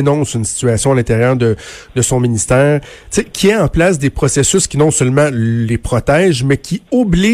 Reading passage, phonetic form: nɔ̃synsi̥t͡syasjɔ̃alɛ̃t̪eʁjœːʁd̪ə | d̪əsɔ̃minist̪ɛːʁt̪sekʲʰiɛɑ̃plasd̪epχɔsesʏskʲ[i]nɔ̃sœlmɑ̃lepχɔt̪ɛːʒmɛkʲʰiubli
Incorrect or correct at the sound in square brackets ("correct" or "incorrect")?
correct